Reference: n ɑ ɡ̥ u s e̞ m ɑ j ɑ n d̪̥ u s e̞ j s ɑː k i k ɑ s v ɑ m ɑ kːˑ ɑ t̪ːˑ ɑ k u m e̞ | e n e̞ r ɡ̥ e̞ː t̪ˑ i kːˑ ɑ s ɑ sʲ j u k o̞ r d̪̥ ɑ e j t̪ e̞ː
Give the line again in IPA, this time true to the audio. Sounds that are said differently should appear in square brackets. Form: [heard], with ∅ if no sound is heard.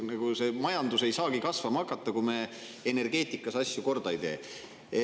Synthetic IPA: n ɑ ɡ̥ u s e̞ m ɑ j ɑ n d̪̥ u s e̞ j s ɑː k i k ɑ s v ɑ m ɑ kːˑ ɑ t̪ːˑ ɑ k u m e̞ | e n e̞ r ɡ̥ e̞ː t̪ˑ i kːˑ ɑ s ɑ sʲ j u k o̞ r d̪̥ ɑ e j t̪ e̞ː